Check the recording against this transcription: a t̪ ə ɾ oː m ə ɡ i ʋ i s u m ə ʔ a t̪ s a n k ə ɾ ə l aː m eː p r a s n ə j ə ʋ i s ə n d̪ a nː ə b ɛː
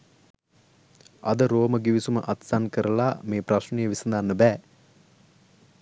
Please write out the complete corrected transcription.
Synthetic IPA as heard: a d̪ ə ɾ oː m ə ɡ i ʋ i s u m ə ʔ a t̪ s a n k ə ɾ ə l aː m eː p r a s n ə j ə ʋ i s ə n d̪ a nː ə b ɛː